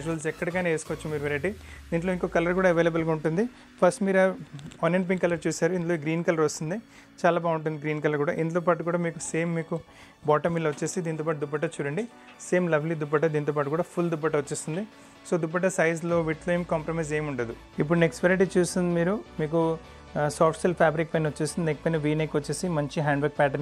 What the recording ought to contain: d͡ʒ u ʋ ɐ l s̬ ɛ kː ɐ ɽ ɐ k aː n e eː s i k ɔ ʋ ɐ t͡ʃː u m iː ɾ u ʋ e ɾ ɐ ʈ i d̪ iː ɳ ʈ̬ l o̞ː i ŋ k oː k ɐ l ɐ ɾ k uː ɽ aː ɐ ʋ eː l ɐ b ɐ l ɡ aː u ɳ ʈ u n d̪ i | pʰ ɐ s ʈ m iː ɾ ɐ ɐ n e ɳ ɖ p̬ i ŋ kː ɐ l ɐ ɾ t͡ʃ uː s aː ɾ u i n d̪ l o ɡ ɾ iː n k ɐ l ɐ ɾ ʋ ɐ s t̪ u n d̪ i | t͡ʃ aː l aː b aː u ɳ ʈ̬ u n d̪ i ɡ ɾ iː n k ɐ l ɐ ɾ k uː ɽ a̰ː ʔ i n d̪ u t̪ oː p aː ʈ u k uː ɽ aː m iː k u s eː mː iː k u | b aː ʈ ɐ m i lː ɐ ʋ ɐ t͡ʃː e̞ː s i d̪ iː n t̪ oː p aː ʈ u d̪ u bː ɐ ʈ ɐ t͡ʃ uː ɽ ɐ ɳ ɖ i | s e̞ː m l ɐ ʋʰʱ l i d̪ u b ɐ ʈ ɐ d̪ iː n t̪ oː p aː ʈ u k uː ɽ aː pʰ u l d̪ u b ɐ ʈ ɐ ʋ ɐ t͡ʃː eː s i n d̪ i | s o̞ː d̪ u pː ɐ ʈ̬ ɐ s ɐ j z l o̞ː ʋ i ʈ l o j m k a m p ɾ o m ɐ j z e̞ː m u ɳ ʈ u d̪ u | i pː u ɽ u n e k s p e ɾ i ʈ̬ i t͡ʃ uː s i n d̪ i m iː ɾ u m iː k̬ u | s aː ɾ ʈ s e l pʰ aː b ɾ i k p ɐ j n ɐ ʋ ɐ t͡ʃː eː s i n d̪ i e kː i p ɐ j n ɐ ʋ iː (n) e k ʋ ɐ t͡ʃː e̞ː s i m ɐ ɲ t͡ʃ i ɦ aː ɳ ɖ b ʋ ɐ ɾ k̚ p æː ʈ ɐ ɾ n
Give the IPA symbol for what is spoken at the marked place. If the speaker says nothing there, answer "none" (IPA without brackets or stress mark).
n